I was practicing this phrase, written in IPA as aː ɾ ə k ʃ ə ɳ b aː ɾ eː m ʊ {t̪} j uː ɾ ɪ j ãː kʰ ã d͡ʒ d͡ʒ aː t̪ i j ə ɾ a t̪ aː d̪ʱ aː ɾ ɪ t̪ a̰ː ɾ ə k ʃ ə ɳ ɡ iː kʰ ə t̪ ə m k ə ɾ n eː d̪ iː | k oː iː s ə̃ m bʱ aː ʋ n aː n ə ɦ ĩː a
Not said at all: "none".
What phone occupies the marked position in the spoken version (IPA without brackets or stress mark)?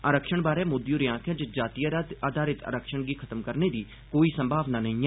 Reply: d̪